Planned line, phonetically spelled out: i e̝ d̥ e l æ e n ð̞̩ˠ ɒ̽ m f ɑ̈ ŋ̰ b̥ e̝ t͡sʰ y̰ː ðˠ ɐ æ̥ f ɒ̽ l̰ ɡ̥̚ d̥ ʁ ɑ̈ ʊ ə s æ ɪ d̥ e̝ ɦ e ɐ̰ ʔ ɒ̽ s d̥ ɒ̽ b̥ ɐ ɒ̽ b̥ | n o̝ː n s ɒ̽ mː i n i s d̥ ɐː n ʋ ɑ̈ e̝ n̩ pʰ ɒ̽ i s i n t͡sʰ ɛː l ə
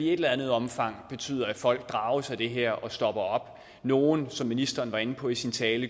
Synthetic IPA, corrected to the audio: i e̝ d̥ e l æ æ n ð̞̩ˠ ɒ̽ m f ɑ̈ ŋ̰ b̥ e̝ t͡sʰ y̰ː ðˠ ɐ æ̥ f ɒ̽ l̰ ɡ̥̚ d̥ ʁ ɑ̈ ʊ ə s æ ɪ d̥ e̝ ɦ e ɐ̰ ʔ ɒ̽ s d̥ ɒ̽ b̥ ɐ ɒ̽ b̥ | n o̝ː n s ɒ̽ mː i n i s d̥ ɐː n ʋ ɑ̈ e̝ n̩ pʰ ɒ̽ i s i n t͡sʰ ɛː l ə